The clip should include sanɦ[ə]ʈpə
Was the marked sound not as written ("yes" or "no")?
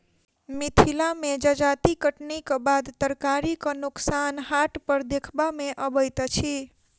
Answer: yes